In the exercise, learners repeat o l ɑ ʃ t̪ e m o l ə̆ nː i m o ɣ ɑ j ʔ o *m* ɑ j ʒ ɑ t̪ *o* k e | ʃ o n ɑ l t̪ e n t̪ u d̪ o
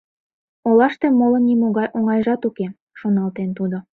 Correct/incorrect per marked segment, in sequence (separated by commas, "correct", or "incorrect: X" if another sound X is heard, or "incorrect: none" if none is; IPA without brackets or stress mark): incorrect: ŋ, incorrect: u